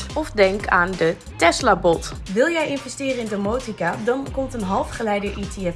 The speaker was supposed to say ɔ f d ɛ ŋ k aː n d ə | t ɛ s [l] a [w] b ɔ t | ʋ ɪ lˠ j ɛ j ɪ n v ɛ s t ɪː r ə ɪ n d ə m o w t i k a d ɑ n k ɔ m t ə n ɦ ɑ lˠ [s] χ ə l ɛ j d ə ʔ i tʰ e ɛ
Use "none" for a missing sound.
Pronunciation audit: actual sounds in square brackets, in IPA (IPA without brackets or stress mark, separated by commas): l, none, f